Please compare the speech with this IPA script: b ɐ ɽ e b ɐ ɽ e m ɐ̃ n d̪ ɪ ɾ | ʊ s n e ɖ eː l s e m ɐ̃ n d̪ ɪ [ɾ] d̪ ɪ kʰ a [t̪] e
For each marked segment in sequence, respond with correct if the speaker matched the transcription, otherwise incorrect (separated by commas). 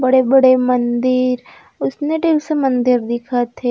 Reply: correct, incorrect